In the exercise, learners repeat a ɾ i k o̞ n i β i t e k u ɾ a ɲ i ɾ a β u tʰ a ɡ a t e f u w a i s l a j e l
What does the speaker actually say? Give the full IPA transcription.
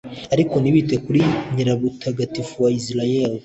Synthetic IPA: a ɾ i k o̞ n i β i t e k u ɾ i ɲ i ɾ a β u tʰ a ɡ a t i f u w a i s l a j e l